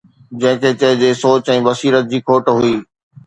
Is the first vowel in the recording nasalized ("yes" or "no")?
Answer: yes